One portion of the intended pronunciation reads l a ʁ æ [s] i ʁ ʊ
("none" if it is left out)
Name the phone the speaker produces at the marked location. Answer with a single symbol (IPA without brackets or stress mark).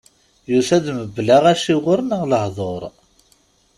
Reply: ʃ